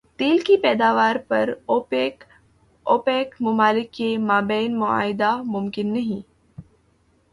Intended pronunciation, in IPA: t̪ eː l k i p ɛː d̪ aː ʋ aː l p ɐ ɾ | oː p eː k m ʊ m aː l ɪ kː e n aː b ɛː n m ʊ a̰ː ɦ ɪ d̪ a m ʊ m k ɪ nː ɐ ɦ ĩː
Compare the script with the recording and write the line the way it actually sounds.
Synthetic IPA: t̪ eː l k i p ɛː d̪ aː ʋ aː ɾ p ɐ ɾ | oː p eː k m ʊ m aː l ɪ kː e m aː b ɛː n m ʊ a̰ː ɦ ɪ d̪ a m ʊ m k ɪ nː ɐ ɦ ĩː